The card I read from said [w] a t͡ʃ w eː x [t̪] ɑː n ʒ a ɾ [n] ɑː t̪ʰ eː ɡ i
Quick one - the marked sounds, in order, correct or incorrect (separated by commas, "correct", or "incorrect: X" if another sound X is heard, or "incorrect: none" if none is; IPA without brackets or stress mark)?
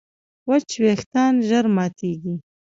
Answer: correct, correct, incorrect: m